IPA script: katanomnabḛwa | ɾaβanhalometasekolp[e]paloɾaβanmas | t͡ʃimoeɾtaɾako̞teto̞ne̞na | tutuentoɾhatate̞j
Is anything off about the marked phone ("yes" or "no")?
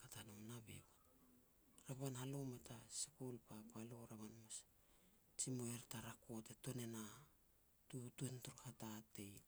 yes